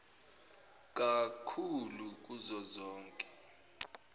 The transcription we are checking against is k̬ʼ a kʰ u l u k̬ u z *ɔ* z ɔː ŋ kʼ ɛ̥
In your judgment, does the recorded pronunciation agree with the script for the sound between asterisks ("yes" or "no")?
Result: yes